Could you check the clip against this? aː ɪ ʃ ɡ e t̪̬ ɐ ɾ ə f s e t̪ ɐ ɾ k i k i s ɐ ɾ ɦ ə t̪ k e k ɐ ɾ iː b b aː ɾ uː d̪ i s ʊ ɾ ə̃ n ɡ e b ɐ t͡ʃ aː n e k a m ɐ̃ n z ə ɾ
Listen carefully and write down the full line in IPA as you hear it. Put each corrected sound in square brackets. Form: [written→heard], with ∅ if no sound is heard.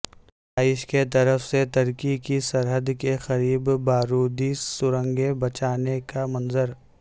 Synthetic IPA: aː ɪ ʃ [ɡ→k] e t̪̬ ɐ ɾ ə f s e t̪ ɐ ɾ k i k i s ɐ ɾ ɦ ə [t̪→d̪] k e [k→x] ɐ ɾ iː b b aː ɾ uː d̪ i s ʊ ɾ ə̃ [n→ŋ] ɡ e b ɐ t͡ʃ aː n e k a m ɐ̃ n z ə ɾ